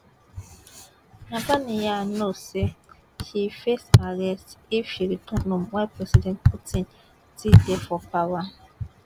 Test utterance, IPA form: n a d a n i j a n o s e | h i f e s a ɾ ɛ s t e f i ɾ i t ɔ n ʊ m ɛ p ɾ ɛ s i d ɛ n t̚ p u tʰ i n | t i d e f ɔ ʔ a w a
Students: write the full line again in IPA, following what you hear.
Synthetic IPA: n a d a n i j a n o s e | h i f e s a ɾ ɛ s t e f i ɾ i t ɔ n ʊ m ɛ p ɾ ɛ s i d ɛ n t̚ p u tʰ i n | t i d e f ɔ p a w a